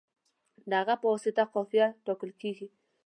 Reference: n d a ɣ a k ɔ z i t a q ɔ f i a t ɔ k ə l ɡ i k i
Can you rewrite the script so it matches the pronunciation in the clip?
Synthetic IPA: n d a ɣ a p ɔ s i t a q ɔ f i a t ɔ k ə l k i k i